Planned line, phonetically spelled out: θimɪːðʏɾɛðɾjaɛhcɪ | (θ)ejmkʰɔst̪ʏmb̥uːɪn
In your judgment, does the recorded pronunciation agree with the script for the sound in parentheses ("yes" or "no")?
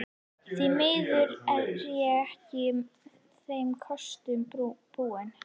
yes